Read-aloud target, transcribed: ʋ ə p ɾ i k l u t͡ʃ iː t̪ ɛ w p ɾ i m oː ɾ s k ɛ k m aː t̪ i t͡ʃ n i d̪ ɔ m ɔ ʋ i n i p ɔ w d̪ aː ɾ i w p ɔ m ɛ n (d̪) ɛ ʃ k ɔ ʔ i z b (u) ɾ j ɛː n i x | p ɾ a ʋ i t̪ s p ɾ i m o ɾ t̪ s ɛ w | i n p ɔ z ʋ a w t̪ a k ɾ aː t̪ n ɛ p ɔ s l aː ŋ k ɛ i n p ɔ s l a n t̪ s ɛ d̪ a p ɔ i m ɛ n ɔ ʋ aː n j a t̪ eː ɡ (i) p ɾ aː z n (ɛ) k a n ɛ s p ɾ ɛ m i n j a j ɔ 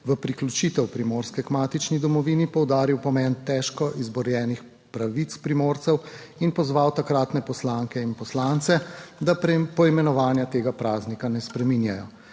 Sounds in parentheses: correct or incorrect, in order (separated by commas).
incorrect, incorrect, incorrect, incorrect